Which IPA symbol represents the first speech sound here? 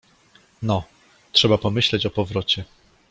n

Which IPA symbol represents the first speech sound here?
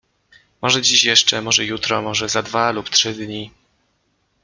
m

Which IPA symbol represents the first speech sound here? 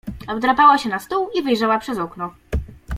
ɔ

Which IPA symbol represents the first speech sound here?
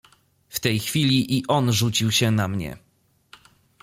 f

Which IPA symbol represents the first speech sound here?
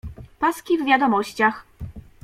p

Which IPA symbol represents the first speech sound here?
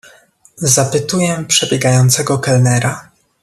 z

